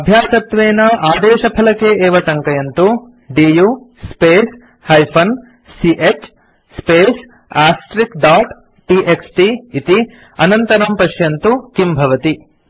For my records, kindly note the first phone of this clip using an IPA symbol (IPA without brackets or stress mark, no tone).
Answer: ɐ